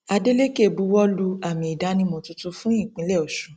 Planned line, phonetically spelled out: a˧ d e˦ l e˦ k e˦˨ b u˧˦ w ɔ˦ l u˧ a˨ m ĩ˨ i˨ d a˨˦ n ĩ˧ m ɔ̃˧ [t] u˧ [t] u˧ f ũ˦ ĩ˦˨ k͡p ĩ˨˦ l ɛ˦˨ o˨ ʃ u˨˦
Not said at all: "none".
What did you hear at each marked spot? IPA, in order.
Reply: t, t

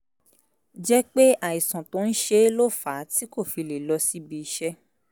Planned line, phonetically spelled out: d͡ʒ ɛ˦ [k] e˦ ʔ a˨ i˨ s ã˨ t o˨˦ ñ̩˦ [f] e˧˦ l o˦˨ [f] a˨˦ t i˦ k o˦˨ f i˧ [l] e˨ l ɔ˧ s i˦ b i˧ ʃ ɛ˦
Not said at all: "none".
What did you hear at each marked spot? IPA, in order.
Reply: k͡p, ʃ, f, l

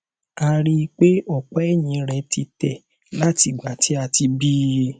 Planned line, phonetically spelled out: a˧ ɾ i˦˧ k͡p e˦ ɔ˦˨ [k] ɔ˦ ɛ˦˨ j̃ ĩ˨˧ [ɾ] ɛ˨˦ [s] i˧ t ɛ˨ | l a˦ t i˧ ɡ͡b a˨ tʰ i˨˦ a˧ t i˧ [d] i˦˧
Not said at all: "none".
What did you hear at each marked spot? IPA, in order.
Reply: k͡p, ɾ, t, b

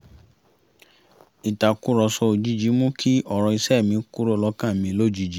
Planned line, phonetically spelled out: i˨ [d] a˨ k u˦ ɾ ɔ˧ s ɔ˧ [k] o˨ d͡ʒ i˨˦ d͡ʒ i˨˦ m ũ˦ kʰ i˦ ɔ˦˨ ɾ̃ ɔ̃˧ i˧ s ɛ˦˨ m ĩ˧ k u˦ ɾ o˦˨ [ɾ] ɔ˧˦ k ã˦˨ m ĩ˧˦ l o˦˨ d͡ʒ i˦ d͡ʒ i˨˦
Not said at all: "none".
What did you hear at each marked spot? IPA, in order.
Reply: t, none, l

